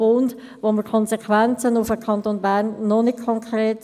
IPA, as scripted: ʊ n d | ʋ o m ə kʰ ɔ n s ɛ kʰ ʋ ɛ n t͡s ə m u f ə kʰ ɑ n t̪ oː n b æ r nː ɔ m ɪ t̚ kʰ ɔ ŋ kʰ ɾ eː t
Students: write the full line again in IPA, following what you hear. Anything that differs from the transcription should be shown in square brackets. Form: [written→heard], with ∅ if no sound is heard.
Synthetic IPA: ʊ n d | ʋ o m ə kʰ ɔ n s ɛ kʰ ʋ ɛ n t͡s ə [m→n] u f ə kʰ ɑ n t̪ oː n b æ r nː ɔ [m→n] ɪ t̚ kʰ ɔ ŋ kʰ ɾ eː t